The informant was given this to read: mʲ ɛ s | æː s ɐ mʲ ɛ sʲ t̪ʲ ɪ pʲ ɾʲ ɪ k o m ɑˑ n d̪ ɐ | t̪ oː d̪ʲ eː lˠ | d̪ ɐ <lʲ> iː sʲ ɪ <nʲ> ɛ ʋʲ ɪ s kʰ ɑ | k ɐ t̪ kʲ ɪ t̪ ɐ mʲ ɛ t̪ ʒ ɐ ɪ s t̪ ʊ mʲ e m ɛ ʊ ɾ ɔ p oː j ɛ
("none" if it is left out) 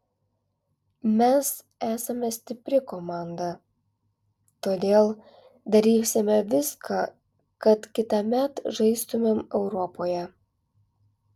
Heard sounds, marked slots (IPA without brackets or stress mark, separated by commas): ɾʲ, mʲ